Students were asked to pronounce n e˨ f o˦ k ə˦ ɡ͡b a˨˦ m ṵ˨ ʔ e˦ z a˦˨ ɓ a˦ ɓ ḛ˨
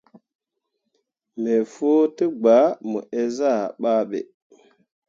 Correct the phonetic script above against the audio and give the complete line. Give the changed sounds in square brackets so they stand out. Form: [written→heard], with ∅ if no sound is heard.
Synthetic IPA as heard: [n→m] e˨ f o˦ [k→t] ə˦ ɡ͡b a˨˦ m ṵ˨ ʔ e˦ z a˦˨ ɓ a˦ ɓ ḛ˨